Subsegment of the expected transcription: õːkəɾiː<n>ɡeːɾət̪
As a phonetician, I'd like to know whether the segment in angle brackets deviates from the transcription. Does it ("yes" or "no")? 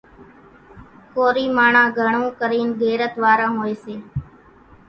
no